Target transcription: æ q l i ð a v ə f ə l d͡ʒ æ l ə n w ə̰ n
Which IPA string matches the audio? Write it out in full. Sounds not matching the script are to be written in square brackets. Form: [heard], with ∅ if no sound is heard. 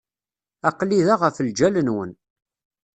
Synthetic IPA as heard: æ q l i ð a [ʁ] ə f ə l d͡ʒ æ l ə n w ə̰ n

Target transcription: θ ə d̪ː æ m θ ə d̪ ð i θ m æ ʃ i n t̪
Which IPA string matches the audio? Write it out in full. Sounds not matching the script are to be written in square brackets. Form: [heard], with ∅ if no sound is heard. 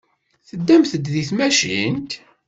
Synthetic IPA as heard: θ ə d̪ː æ m θ ə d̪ ð i θ m æ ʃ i n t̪

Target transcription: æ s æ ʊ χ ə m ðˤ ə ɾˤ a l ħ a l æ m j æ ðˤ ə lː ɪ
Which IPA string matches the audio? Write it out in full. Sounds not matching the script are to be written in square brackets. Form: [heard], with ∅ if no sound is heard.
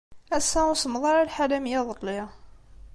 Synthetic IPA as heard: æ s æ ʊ [s] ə m ðˤ [ɑ] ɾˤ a l ħ a l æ m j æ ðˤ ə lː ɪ

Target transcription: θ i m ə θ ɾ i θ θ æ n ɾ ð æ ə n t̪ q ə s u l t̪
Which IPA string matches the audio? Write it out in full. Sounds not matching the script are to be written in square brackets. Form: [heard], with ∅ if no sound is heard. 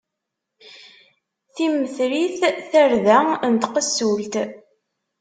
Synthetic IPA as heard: θ i m ə θ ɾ i θ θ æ [∅] ɾ ð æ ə n t̪ q ə s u l t̪

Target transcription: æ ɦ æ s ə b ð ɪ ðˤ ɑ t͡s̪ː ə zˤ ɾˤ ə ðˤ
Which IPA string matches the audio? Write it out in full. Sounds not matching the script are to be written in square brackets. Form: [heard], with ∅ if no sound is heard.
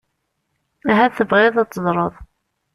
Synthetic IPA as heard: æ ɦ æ [θ] ə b [ʁ] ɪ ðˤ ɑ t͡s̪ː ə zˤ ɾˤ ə ðˤ

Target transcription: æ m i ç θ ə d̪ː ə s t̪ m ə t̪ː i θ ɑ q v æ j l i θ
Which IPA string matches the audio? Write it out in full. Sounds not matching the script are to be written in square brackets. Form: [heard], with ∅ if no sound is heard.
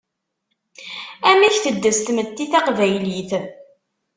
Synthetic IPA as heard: æ m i ç θ ə d̪ː ə s t̪ m ə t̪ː i θ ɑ q v æ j l i θ

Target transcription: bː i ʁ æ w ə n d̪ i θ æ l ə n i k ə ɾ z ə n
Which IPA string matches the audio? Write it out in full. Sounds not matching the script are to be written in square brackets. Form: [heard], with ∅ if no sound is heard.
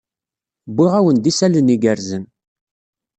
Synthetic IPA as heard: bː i ʁ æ w ə n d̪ i [s] æ l ə n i [ɡ] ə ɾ z ə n

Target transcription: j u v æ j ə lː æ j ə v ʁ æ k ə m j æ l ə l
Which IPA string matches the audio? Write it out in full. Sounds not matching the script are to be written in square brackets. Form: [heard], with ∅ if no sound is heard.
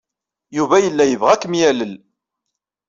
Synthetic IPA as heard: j u v æ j ə lː æ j ə v ʁ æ k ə m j æ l ə l

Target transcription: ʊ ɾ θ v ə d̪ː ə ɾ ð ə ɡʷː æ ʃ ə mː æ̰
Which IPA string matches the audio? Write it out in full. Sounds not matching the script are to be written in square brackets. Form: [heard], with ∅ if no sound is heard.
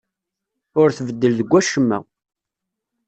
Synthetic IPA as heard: ʊ ɾ θ v ə d̪ː ə [l] ð ə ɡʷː æ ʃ ə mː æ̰

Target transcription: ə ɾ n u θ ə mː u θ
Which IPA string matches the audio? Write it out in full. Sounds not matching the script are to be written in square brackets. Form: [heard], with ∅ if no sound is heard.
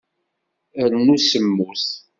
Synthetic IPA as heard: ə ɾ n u [s] ə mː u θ

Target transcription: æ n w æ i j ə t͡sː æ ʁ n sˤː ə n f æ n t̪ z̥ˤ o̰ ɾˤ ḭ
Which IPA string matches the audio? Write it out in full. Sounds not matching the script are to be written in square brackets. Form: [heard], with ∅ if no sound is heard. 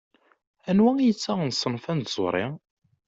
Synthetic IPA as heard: æ n w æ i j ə t͡sː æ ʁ n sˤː ə n f æ n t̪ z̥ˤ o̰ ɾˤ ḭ

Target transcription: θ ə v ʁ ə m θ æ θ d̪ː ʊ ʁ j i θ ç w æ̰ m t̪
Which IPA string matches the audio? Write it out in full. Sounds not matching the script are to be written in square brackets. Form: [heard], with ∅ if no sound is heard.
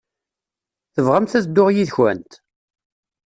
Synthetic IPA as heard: θ ə v ʁ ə m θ æ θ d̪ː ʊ ʁ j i [ð] ç w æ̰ [n] t̪

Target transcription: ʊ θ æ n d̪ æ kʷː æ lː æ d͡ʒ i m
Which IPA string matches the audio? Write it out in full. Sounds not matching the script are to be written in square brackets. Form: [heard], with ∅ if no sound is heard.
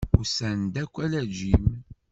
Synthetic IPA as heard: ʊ [s] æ n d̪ æ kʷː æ [l] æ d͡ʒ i m

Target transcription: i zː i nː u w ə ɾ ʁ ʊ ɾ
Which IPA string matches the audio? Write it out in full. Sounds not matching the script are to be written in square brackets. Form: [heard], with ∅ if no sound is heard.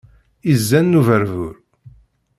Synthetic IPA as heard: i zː [æ] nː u [v] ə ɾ [v] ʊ ɾ

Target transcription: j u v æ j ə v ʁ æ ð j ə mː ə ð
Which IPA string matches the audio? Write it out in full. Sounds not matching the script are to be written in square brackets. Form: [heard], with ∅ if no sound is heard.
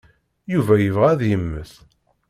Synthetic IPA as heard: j u v æ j ə v ʁ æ ð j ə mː ə [θ]

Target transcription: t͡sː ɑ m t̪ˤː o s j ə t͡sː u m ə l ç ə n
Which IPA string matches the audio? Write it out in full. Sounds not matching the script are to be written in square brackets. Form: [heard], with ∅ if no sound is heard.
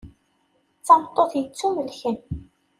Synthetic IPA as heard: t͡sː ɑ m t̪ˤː o [θ] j ə t͡sː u m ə l ç ə n

